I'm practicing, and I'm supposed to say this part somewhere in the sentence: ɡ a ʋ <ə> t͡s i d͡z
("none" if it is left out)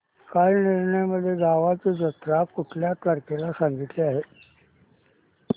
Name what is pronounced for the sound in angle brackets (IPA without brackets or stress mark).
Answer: a